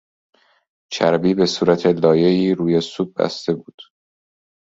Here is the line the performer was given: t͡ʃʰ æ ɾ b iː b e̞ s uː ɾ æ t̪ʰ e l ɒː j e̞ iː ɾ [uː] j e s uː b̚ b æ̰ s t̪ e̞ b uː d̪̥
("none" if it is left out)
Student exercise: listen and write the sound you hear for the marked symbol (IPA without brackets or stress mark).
uː